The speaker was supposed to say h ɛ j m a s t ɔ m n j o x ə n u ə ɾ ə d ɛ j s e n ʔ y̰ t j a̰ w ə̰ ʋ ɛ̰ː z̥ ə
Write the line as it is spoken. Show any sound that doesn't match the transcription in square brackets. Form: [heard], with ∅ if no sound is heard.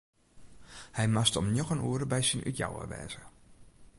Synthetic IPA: h ɛ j m a s t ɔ m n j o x ə n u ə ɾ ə [b] ɛ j s [i] n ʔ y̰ t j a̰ w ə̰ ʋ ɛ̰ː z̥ ə